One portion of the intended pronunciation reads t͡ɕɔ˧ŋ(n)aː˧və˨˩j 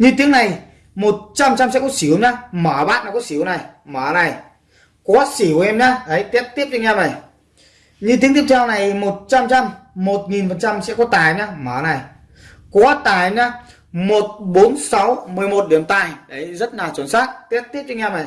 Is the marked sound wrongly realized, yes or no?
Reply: yes